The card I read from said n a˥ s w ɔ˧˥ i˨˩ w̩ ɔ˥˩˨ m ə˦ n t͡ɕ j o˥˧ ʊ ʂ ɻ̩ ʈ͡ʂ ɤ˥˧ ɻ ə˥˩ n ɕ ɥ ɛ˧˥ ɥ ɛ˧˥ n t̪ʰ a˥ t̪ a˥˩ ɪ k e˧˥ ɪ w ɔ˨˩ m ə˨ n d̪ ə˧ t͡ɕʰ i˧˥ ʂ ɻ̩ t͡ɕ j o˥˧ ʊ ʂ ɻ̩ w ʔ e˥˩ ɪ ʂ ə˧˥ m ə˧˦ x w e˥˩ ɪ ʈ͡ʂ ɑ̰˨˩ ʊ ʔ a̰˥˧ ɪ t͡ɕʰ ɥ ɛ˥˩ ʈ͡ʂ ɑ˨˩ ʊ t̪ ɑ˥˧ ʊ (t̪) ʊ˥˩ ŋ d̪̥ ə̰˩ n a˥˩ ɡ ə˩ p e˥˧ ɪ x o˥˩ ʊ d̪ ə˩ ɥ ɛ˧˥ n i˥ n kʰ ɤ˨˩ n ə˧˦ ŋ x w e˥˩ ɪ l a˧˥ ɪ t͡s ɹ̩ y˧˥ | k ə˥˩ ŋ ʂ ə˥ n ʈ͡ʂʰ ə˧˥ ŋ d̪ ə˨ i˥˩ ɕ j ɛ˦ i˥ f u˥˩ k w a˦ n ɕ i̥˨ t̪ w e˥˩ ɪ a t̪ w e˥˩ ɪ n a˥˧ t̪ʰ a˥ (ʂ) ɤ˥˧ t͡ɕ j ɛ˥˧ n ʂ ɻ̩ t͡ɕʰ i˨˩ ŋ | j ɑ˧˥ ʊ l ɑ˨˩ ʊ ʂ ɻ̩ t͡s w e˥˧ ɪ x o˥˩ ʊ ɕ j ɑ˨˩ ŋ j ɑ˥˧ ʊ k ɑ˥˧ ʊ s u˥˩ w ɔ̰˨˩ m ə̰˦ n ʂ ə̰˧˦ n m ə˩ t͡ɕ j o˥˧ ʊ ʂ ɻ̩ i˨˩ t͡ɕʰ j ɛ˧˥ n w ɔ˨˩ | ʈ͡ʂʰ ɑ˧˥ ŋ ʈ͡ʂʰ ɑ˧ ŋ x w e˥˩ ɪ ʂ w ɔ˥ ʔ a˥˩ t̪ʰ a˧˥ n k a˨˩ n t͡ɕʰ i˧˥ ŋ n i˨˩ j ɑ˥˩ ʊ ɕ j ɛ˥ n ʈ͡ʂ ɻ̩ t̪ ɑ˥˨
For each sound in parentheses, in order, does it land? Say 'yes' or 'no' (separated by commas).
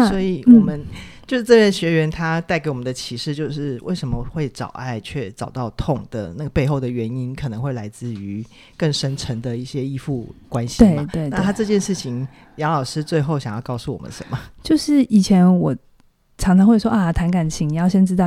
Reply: no, no